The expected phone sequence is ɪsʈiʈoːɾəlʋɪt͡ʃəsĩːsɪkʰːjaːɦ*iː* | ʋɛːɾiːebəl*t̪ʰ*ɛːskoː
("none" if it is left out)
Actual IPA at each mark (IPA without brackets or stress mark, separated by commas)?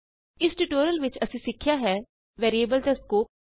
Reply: ɛː, t̪